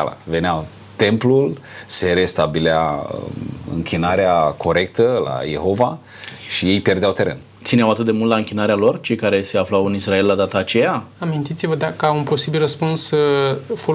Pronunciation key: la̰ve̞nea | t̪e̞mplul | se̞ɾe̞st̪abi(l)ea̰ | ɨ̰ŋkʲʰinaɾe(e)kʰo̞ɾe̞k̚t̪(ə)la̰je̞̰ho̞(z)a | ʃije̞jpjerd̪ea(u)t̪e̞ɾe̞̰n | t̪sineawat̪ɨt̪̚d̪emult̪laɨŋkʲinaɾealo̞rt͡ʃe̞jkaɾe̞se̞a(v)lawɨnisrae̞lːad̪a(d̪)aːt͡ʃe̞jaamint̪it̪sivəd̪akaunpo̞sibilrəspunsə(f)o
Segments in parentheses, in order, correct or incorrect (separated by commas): correct, incorrect, correct, incorrect, incorrect, incorrect, incorrect, correct